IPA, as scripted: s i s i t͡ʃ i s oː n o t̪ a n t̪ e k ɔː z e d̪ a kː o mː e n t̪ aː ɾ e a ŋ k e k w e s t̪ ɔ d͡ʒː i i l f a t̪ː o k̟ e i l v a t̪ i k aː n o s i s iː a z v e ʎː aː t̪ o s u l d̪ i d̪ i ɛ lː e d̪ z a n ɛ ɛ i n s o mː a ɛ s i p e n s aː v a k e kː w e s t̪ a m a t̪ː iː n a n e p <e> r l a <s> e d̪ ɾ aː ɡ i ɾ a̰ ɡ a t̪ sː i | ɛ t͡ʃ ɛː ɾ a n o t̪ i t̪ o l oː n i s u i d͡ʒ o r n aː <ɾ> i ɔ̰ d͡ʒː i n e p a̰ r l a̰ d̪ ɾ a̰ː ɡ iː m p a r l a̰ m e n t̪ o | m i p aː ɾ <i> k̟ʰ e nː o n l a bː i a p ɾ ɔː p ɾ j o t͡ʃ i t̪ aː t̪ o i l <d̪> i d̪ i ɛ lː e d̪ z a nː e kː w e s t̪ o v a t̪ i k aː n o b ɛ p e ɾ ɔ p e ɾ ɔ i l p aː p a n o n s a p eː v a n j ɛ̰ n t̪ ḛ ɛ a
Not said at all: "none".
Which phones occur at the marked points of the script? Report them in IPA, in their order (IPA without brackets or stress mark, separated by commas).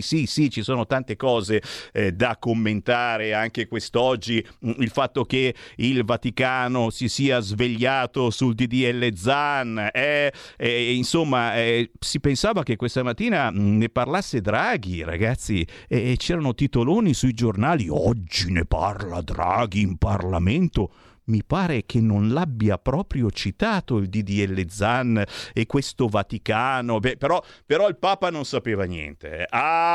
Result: a, sː, l, e, d̪